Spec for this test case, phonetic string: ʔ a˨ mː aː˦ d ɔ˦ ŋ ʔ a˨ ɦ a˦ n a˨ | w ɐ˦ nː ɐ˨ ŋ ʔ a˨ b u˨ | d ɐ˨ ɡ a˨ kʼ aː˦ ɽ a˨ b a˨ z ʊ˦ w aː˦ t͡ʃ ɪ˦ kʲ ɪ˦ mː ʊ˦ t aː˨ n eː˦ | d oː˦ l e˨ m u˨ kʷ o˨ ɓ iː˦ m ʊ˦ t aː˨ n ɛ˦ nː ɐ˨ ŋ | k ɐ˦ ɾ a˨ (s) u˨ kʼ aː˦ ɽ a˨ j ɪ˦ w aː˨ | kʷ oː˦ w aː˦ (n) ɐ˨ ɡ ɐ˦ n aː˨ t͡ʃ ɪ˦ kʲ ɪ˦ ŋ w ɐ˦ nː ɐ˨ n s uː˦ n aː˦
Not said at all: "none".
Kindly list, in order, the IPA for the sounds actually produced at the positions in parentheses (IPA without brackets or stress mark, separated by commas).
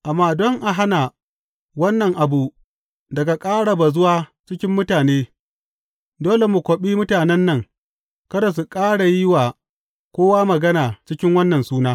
s, m